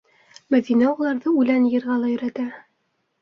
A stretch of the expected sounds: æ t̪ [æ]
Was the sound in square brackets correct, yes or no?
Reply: yes